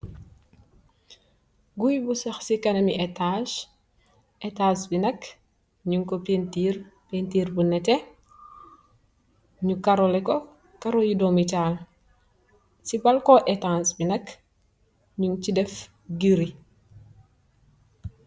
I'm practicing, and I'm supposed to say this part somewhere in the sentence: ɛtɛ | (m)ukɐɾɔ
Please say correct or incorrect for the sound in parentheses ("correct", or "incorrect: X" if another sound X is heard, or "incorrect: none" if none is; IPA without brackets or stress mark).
incorrect: ɲ